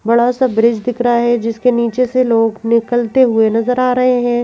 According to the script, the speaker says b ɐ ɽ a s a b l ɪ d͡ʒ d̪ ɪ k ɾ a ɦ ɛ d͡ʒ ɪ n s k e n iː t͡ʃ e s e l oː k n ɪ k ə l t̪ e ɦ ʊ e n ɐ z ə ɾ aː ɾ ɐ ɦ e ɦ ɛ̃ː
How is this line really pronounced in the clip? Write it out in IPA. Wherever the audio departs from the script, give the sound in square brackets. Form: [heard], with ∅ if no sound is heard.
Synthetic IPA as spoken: b ɐ ɽ a s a b [ɾ] ɪ d͡ʒ d̪ ɪ k ɾ a ɦ ɛ d͡ʒ ɪ [∅] s k e n iː t͡ʃ e s e l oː [ɡ] n ɪ k ə l t̪ e ɦ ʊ e n ɐ z ə ɾ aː ɾ ɐ ɦ e ɦ ɛ̃ː